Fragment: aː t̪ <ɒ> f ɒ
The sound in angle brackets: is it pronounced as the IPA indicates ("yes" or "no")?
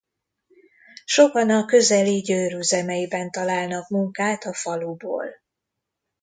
yes